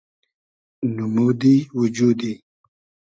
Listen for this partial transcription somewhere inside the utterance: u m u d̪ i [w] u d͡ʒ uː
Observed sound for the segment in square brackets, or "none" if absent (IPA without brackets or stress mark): w